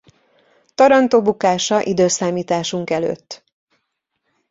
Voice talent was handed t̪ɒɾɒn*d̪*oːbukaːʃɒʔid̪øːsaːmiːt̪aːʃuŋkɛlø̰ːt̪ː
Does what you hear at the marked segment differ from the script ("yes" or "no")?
yes